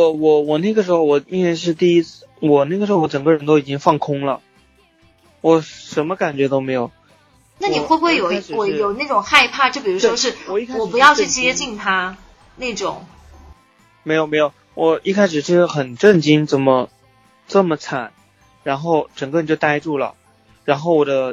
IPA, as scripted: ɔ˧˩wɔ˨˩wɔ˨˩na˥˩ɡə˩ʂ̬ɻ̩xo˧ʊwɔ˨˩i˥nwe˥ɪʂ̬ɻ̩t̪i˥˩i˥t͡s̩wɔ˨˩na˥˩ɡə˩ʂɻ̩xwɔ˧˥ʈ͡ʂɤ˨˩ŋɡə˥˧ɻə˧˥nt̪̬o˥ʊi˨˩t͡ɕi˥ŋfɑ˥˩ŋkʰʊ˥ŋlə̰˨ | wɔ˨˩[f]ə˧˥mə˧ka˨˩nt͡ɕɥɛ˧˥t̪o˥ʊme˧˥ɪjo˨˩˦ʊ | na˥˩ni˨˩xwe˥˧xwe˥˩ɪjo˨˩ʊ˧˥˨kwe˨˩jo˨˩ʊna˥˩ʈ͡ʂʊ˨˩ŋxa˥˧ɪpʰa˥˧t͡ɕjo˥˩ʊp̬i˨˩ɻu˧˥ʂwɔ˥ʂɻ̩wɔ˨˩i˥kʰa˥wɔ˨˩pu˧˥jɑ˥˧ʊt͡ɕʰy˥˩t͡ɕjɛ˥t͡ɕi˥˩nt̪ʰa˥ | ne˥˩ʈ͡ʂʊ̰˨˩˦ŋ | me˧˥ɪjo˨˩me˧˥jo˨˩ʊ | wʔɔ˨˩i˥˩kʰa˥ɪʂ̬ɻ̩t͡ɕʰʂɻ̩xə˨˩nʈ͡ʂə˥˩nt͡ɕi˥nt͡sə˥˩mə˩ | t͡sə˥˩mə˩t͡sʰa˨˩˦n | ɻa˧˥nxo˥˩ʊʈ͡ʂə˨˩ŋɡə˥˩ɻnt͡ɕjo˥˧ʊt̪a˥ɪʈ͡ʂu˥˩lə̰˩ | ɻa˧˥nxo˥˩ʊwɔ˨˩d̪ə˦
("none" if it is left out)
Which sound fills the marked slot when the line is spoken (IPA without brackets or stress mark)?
ʂ